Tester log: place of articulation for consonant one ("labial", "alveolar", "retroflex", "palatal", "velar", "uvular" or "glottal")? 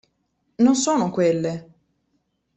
alveolar